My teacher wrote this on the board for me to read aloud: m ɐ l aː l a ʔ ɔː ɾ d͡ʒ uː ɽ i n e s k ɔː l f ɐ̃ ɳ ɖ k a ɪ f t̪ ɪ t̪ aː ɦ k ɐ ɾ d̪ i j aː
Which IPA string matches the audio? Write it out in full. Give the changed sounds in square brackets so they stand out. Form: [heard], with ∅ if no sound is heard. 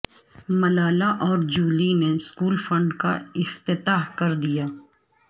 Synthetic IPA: m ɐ l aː l a ʔ ɔː ɾ d͡ʒ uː [l] i n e s k [uː] l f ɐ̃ ɳ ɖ k a ɪ f t̪ ɪ t̪ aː ɦ k ɐ ɾ d̪ i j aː